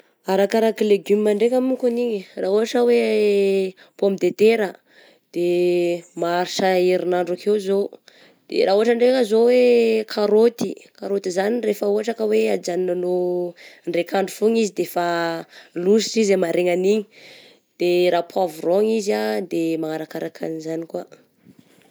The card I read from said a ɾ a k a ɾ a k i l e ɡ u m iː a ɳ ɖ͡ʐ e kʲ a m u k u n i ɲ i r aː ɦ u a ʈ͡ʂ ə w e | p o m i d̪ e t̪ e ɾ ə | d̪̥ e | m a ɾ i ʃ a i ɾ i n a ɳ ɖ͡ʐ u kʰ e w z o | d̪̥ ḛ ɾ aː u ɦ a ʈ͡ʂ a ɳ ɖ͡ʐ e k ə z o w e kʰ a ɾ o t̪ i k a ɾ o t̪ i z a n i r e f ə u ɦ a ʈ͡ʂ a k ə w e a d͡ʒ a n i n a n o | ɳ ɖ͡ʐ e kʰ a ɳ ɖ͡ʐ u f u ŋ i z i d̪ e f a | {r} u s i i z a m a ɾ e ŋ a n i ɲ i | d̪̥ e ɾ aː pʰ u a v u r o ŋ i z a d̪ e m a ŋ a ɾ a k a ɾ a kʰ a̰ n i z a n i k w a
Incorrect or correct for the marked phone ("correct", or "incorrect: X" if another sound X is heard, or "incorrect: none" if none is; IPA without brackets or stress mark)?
incorrect: l